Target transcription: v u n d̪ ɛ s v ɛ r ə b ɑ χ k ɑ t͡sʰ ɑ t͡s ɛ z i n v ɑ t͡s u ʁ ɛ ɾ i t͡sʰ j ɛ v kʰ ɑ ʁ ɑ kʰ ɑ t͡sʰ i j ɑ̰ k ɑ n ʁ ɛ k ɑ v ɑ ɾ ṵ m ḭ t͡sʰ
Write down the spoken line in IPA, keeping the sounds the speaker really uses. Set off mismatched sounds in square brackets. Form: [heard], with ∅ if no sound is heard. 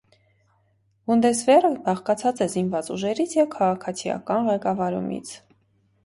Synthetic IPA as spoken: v u n d̪ ɛ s v ɛ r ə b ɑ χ k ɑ t͡sʰ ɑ t͡s ɛ z i n v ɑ t͡s u [ʒ] ɛ ɾ i t͡sʰ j ɛ v kʰ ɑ ʁ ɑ kʰ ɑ t͡sʰ i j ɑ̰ k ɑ n ʁ ɛ k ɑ v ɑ ɾ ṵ m ḭ t͡sʰ